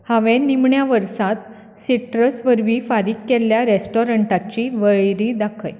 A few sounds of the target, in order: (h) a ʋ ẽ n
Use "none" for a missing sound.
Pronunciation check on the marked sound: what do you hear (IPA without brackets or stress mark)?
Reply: h